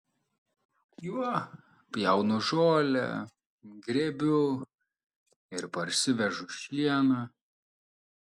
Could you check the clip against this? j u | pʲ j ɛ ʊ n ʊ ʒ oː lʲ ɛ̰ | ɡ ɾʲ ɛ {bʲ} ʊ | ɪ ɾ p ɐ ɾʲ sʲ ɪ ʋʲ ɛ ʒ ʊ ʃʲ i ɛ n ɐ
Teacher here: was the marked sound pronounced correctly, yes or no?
yes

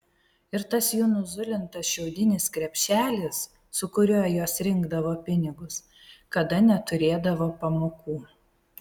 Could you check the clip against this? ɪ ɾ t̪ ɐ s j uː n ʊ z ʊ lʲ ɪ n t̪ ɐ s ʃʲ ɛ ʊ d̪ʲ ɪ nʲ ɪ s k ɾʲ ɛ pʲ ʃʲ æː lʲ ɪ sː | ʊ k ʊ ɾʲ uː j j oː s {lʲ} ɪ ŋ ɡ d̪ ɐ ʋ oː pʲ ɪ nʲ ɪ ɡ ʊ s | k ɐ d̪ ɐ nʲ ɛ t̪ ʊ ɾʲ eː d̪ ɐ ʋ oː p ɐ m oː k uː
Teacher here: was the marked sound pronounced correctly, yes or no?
no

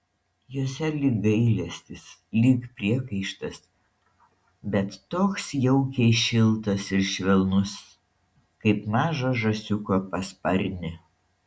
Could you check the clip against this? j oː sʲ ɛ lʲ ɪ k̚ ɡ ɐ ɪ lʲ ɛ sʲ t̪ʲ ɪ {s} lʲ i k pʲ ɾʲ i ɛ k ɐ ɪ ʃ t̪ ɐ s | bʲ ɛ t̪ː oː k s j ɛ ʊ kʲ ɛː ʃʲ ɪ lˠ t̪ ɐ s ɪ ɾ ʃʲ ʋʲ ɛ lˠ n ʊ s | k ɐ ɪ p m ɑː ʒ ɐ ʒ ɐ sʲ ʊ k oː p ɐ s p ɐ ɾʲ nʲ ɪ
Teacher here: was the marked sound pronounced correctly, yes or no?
yes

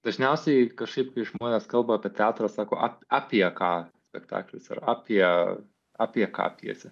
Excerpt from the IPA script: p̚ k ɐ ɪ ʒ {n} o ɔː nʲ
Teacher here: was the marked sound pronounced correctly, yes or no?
no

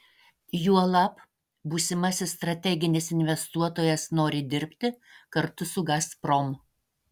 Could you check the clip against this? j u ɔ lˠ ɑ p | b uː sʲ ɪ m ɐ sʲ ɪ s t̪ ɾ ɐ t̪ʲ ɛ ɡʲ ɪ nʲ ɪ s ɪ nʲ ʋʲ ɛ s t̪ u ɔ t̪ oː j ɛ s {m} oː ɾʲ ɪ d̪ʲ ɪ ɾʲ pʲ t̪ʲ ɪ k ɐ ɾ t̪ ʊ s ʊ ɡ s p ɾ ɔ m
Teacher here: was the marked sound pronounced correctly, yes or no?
no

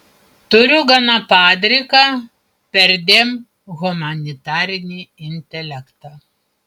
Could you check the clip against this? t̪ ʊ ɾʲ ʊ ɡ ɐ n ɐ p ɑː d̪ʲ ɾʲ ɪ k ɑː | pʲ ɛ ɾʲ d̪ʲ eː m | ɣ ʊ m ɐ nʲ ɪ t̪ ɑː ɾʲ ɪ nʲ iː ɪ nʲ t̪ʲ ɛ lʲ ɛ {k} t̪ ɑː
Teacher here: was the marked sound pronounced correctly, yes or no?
yes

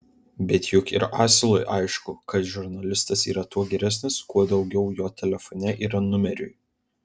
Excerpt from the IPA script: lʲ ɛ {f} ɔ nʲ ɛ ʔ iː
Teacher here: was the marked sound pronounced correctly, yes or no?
yes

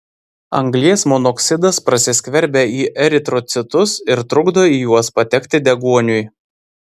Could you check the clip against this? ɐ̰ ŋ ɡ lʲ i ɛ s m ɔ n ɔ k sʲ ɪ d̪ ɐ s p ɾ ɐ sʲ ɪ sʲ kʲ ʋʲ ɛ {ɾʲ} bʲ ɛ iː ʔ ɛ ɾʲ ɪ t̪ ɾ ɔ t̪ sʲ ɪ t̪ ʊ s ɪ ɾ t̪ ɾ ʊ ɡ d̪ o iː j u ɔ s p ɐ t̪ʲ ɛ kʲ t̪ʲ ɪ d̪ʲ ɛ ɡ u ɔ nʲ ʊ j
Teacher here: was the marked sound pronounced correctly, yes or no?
yes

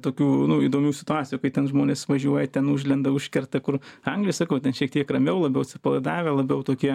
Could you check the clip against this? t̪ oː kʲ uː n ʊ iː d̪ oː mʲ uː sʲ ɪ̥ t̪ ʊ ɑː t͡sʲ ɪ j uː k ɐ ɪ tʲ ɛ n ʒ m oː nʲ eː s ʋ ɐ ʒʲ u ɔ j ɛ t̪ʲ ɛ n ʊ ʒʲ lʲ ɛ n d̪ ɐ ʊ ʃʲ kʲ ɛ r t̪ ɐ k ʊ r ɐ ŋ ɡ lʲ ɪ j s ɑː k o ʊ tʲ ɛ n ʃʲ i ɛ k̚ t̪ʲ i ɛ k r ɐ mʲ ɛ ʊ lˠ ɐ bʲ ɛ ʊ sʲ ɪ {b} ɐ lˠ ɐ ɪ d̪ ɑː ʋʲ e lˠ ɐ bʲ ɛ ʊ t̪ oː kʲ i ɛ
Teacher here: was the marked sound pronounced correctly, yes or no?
no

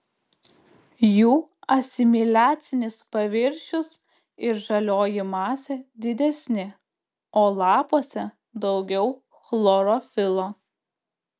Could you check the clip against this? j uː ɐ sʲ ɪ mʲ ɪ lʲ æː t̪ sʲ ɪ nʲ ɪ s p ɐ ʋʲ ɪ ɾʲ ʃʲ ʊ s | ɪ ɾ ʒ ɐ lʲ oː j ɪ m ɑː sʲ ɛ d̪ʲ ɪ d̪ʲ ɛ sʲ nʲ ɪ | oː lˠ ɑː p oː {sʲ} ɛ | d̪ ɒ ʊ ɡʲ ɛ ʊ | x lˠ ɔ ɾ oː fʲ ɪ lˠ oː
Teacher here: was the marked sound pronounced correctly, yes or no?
yes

